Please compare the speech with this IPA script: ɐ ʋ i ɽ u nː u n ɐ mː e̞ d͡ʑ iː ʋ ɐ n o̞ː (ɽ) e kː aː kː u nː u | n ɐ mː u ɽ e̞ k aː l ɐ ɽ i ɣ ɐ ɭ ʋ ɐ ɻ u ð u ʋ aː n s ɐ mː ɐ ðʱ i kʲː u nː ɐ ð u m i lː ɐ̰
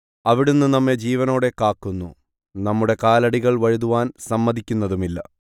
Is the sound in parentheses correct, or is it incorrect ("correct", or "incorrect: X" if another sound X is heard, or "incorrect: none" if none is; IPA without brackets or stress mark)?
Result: correct